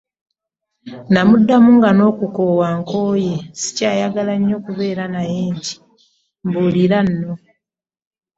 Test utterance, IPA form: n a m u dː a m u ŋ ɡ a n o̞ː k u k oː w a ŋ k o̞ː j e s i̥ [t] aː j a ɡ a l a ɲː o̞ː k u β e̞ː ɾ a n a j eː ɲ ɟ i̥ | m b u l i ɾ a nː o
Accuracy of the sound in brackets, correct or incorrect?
incorrect: c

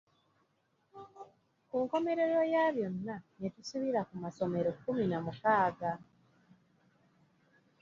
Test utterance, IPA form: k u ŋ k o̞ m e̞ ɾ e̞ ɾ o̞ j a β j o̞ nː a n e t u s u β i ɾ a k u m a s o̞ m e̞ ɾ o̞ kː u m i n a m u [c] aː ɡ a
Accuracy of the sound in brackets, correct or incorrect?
incorrect: k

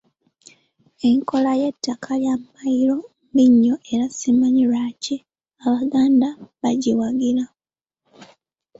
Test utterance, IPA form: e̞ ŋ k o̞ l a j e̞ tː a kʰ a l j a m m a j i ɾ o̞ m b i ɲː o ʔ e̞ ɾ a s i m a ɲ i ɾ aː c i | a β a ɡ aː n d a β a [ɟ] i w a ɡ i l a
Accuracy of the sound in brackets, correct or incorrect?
correct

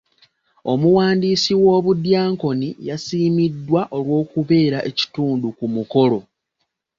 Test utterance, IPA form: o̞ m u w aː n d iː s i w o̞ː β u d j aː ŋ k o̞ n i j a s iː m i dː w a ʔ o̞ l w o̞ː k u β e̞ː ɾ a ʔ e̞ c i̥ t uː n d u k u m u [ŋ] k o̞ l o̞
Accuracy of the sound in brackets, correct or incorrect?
incorrect: none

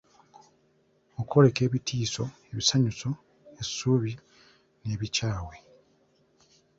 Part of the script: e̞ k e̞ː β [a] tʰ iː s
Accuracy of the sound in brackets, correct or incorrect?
incorrect: i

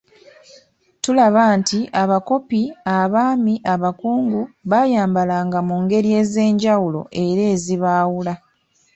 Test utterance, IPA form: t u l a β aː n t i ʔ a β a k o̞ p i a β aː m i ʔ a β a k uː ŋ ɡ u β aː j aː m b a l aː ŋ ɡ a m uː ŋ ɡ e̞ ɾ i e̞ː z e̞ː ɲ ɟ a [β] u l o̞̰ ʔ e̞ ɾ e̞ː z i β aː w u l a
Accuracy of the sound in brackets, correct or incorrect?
incorrect: w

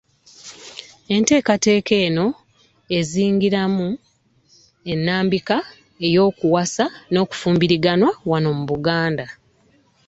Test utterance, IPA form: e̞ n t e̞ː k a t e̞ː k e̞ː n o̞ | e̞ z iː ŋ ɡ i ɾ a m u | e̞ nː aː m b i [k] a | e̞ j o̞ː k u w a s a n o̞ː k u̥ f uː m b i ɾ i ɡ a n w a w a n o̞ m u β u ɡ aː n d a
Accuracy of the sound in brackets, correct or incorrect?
correct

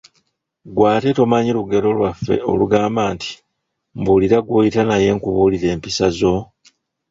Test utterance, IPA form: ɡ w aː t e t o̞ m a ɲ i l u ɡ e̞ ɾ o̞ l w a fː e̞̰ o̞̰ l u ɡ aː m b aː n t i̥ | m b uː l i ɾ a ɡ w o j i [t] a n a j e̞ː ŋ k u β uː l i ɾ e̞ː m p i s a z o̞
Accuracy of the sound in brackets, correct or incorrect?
correct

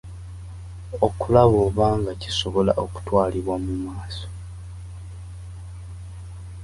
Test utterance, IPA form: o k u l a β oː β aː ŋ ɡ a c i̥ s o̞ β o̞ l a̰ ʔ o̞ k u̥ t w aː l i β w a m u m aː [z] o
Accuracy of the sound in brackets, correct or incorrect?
incorrect: s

